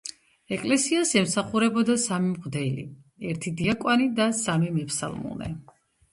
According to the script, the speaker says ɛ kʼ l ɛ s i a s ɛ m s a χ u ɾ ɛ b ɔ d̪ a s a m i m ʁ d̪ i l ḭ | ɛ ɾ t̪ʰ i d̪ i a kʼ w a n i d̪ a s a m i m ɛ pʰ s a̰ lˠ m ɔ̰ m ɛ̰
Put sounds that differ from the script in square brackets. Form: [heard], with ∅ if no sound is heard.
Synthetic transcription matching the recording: ɛ kʼ l ɛ s i a s ɛ m s a χ u ɾ ɛ b ɔ d̪ a s a m i m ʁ d̪ [ɛ] l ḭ | ɛ ɾ t̪ʰ i d̪ i a kʼ w a n i d̪ a s a m i m ɛ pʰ s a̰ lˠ m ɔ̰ [n] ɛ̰